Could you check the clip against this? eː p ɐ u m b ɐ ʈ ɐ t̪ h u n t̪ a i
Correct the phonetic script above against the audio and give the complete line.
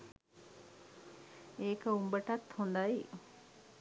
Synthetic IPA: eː k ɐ u m b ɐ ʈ ɐ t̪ h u n d̪ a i